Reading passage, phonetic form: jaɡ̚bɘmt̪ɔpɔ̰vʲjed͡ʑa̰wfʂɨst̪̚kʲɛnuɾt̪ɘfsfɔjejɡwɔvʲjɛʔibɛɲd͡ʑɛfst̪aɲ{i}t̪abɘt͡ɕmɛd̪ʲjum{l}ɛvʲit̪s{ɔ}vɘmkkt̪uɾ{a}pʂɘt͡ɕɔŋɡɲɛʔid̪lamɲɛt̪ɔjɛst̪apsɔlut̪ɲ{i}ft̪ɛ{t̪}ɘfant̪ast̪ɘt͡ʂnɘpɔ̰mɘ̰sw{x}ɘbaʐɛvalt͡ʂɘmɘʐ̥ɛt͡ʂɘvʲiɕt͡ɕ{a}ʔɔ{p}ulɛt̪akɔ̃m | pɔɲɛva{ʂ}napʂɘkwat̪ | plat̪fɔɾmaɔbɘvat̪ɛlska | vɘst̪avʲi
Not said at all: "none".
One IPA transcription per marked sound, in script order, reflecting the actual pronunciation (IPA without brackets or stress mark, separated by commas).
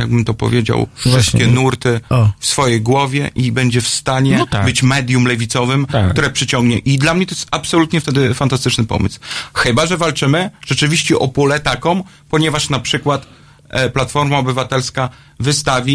ɛ, l, ɔ, ɛ, ɛ, d̪, x, ɛ, p, ʂ